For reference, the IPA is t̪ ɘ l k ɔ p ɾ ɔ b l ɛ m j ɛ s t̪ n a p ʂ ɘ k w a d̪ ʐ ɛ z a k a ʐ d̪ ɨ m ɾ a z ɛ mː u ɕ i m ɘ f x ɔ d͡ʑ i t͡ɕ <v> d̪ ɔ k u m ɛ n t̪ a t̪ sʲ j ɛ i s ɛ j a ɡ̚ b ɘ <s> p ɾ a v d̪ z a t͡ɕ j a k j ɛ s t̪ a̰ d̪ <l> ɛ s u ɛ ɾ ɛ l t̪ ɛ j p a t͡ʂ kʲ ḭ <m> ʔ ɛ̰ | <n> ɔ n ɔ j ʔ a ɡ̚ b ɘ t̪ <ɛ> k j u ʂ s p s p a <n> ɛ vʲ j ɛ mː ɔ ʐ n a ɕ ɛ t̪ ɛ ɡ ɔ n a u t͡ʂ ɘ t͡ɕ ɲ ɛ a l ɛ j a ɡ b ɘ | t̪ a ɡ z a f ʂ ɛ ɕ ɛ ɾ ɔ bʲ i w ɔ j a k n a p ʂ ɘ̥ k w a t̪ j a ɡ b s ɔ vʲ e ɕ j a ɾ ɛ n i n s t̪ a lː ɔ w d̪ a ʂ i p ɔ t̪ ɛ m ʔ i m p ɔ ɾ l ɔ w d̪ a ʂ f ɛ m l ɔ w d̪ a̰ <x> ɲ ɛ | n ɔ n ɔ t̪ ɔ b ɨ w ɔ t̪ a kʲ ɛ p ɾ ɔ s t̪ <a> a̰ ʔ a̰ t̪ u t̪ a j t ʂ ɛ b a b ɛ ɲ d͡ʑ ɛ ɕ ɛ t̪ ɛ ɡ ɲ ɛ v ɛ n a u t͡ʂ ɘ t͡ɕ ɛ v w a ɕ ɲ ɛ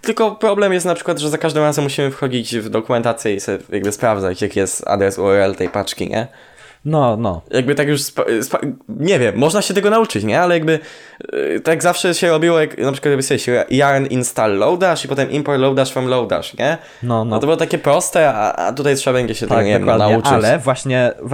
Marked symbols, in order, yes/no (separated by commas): yes, yes, no, no, yes, no, no, no, no